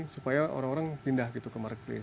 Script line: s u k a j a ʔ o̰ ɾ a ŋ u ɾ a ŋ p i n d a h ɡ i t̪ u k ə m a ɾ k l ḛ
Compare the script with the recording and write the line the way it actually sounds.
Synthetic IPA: s u p a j a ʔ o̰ ɾ a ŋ o ɾ a ŋ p i n d a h ɡ i t̪ u k ə m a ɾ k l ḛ